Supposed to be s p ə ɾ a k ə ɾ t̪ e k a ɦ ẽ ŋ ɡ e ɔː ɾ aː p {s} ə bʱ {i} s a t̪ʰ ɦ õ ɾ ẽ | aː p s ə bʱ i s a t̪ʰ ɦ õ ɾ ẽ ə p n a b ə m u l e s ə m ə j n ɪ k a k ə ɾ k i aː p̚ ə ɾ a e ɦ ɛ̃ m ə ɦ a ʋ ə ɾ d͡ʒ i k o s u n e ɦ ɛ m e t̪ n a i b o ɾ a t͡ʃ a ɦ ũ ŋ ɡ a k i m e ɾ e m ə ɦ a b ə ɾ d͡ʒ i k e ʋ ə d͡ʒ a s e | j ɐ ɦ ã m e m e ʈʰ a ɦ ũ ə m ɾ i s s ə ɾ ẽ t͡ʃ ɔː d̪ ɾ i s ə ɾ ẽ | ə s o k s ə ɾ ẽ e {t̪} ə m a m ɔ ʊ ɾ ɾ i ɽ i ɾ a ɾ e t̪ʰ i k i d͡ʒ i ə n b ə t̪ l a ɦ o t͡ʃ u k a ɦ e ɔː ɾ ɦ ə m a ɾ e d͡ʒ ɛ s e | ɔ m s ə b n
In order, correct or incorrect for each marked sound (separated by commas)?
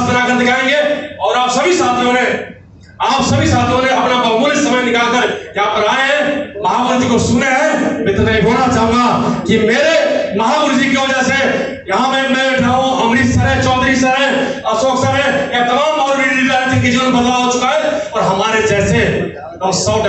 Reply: correct, correct, correct